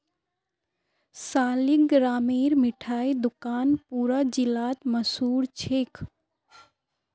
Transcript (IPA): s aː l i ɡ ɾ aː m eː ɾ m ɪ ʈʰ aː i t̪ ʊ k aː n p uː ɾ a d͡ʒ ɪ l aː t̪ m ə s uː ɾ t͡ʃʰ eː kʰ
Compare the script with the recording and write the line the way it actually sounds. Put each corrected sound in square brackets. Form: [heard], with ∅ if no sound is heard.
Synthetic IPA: s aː l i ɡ ɾ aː m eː ɾ m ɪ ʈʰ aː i [d̪] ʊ k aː n p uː ɾ a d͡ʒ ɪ l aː t̪ m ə s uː ɾ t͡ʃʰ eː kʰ

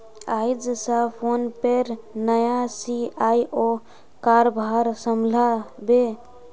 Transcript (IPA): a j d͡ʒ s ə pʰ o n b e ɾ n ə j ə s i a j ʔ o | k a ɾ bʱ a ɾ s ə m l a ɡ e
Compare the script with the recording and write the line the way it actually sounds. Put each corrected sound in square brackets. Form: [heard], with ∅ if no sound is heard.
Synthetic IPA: a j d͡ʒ s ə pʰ o n [p] e ɾ n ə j [a] s i a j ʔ o | k a ɾ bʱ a ɾ s ə m l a [b] e

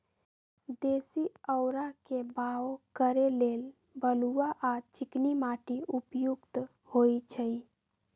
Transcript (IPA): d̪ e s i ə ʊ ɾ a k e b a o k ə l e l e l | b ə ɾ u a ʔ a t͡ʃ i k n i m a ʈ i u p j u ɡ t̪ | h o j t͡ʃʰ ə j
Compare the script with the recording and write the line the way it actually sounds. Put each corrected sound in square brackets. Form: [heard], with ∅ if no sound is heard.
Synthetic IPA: d̪ e s i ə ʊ ɾ a k e b a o k ə [ɾ] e l e l | b ə [l] u a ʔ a t͡ʃ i k n i m a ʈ i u p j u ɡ t̪ | h o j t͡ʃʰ ə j

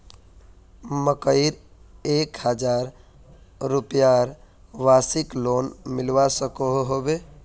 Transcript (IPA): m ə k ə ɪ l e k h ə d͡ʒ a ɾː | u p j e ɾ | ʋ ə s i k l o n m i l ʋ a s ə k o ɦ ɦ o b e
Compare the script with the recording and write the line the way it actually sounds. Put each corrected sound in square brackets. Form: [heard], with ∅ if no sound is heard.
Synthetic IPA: m ə k ə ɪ [ɾ] e k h ə d͡ʒ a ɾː | u p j [a] ɾ | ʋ [a] s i k l o n m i l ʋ a s ə k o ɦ ɦ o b e

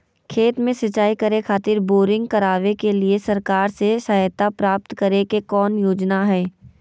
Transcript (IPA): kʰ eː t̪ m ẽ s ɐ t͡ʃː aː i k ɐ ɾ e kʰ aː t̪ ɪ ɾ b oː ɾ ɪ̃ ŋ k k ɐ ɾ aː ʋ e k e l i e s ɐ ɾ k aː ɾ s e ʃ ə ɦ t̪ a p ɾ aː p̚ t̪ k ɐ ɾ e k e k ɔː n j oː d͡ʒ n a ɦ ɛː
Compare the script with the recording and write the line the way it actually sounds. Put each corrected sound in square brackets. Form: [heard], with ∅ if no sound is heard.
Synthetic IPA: kʰ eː t̪ m ẽ s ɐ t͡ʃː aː i k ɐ ɾ e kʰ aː t̪ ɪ ɾ b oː ɾ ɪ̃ ŋ [ɡ] k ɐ ɾ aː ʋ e k e l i e s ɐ ɾ k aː ɾ s e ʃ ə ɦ t̪ a p ɾ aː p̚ t̪ k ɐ ɾ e k e k ɔː n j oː d͡ʒ n a ɦ ɛː

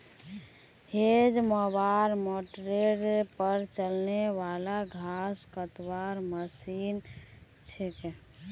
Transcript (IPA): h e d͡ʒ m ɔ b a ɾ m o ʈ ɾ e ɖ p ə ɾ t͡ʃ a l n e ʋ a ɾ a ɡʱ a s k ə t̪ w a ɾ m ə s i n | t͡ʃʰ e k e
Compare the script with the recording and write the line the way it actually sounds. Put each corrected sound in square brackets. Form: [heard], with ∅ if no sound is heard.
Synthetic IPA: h e d͡ʒ m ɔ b a ɾ m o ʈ ɾ e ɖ p ə ɾ t͡ʃ [ə] l n e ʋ a [l] a ɡʱ a s k ə t̪ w a ɾ m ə s i n | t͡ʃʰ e k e

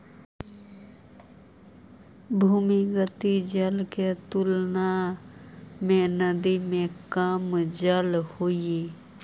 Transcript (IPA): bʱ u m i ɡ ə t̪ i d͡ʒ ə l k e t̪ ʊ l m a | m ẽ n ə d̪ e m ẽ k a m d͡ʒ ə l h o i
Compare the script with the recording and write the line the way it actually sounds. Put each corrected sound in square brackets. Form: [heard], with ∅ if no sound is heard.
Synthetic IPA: bʱ u m i ɡ ə t̪ i d͡ʒ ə l k e t̪ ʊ l [n] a | m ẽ n ə d̪ [i] m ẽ k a m d͡ʒ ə l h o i

